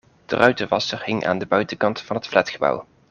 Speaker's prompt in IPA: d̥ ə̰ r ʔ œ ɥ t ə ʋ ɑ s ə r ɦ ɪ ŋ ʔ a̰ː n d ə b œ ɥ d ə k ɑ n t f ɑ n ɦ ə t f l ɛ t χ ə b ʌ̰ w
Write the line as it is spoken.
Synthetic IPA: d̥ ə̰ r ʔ œ ɥ t ə ʋ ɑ s ə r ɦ ɪ ŋ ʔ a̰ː n d ə b œ ɥ t ə k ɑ n t f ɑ n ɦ ə t f l ɛ t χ ə b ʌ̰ w